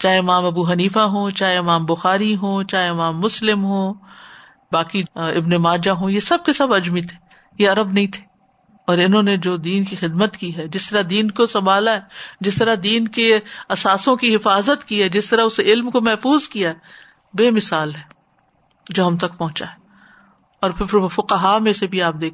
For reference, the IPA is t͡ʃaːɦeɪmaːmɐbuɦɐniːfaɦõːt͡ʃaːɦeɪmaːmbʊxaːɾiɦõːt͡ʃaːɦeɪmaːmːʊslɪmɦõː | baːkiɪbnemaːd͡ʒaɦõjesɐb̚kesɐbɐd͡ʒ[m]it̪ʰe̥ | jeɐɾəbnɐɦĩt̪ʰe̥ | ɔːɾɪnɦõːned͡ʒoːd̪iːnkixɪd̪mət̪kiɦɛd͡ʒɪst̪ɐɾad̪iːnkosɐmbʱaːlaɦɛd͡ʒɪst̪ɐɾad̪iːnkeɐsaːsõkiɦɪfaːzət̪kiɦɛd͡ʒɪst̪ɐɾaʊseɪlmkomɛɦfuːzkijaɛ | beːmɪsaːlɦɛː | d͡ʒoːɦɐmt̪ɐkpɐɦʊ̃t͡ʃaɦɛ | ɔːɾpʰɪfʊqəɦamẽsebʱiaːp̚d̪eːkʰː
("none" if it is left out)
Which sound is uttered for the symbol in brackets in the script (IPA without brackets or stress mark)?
m